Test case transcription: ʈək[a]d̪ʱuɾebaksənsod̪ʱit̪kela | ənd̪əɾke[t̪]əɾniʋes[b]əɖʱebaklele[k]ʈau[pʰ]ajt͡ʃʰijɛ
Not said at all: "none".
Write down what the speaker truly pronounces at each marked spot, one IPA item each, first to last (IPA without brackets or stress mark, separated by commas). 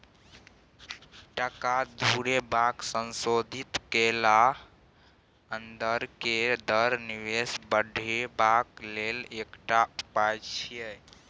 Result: a, d̪, b, k, p